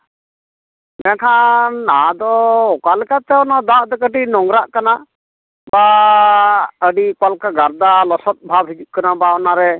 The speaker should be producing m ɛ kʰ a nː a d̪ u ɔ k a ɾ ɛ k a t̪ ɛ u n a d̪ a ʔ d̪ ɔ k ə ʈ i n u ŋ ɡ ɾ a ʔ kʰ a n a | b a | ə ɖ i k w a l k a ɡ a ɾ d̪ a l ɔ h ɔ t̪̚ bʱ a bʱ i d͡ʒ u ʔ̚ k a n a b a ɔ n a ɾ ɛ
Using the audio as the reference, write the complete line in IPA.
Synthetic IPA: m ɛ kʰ a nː a d̪ ɔ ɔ k a l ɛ k a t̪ ɛ ɔ n a d̪ a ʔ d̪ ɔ k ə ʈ i n ɔ ŋ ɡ ɾ a ʔ k a n a | b a | ə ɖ i k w a l k a ɡ a ɾ d̪ a l ɔ s ɔ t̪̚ bʱ a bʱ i d͡ʒ u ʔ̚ k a n a b a ɔ n a ɾ ɛ